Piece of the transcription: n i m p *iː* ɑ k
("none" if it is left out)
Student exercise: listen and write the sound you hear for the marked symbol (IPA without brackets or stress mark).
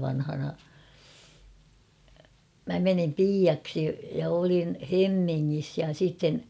iː